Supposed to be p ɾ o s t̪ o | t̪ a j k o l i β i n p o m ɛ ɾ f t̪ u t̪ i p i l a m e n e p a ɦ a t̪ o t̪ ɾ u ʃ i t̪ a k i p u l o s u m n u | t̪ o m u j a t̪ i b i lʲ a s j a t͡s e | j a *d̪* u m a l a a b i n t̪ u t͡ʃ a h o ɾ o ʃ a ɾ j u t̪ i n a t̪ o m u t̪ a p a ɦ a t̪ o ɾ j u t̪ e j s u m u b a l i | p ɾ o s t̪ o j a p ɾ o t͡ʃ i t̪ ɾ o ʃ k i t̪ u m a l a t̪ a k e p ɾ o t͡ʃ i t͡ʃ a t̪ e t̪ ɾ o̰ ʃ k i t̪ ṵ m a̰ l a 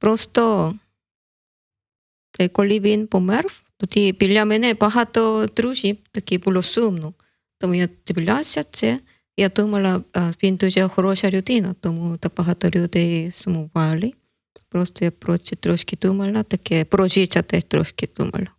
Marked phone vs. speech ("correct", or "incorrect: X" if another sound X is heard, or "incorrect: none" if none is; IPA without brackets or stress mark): incorrect: t̪